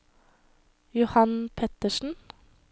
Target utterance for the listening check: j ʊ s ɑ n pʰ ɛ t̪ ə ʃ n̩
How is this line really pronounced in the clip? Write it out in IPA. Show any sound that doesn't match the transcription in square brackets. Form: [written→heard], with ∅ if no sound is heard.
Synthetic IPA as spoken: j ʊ [s→h] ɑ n pʰ ɛ t̪ ə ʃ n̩